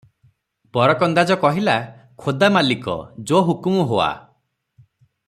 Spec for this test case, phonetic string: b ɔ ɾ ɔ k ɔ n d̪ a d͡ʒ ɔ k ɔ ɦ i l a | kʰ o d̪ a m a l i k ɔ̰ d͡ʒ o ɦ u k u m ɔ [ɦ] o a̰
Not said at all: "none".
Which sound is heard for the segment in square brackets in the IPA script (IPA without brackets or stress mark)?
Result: ɦ